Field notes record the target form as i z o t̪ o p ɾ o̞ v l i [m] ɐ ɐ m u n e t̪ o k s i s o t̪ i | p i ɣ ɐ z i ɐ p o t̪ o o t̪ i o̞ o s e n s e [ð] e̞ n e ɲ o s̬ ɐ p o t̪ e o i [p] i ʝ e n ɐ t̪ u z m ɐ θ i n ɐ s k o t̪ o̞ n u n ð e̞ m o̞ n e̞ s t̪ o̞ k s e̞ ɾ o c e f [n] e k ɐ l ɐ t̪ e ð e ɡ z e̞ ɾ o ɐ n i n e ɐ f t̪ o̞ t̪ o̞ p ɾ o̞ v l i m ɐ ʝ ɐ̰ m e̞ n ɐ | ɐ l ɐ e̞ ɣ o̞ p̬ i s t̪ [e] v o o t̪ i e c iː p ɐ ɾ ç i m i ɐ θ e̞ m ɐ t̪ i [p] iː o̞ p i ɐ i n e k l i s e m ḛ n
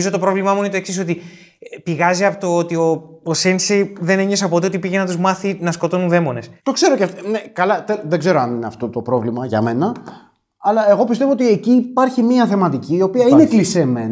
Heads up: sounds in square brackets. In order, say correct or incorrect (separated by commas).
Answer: correct, correct, correct, correct, correct, incorrect